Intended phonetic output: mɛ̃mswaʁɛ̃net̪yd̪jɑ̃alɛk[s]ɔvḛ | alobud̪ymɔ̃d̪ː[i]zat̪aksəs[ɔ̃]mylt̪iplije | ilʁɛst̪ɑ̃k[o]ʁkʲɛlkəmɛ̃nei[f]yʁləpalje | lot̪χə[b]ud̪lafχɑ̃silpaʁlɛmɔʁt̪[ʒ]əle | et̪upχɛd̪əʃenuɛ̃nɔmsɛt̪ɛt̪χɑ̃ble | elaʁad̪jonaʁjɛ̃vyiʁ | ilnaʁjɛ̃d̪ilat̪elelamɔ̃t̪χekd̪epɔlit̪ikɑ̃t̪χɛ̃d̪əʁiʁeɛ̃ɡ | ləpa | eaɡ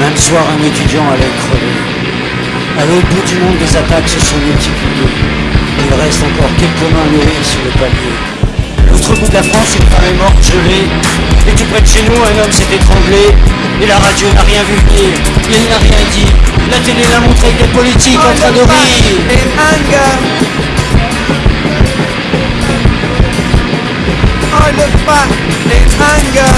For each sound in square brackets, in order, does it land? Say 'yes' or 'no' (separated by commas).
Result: no, no, yes, no, no, yes, yes